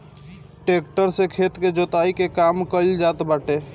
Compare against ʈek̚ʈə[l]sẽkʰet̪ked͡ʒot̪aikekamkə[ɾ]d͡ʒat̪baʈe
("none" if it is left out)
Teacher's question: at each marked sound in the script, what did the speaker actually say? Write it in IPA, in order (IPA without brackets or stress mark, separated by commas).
ɾ, l